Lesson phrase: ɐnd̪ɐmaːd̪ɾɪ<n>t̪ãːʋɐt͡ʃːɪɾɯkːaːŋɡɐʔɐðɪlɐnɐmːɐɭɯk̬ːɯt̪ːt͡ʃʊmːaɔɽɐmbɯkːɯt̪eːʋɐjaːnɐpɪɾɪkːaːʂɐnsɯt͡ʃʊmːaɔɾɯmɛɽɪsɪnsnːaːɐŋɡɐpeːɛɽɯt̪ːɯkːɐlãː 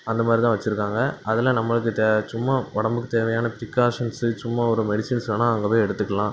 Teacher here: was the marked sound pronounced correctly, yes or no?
no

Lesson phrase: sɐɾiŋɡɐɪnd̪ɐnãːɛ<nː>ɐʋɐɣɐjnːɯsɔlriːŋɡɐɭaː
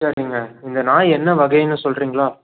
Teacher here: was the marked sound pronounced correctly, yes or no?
yes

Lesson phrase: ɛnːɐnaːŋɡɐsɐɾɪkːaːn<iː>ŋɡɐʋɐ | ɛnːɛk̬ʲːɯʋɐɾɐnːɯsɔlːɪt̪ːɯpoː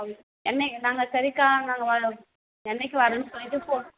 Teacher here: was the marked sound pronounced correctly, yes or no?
no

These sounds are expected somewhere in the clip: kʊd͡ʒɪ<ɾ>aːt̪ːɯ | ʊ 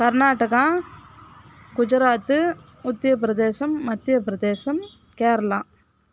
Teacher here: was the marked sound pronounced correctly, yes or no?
yes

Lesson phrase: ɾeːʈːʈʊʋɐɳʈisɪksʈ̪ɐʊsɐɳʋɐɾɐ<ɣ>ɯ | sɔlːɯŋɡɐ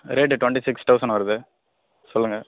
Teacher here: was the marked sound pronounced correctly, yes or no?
no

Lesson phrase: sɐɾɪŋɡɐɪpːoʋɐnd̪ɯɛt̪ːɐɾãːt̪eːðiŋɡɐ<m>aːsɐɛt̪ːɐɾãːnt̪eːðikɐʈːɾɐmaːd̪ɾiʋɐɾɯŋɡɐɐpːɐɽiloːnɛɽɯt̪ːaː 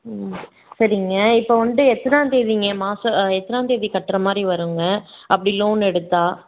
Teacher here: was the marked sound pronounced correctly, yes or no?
yes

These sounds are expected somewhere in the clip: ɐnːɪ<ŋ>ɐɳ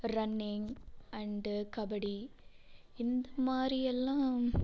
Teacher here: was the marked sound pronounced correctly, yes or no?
yes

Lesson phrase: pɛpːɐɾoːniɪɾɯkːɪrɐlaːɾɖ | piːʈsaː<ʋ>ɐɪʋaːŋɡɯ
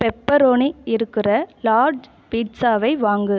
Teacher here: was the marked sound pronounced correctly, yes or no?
yes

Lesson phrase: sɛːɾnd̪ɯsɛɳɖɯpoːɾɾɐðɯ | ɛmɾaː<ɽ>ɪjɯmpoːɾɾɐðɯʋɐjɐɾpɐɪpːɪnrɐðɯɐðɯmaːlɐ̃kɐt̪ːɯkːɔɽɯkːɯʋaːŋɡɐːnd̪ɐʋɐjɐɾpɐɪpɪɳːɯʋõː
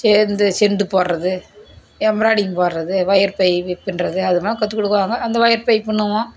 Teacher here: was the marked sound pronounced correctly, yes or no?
yes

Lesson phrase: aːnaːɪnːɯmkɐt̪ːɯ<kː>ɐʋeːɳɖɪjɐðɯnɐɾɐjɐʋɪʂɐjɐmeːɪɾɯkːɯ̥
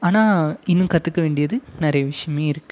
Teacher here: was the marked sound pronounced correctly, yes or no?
yes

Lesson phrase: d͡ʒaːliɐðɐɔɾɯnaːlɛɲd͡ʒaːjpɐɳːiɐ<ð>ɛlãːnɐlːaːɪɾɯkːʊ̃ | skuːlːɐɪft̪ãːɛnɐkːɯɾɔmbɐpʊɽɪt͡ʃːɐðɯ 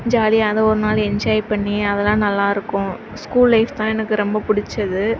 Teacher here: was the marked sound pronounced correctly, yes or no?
yes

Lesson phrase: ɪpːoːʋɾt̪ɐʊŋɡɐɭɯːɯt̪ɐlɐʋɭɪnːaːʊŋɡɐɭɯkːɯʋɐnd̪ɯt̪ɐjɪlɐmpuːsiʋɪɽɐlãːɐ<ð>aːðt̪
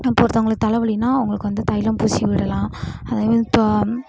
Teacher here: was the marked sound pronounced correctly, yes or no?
yes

